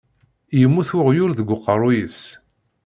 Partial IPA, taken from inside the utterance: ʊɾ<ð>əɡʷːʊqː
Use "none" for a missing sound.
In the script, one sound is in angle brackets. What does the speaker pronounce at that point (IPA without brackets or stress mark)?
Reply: ð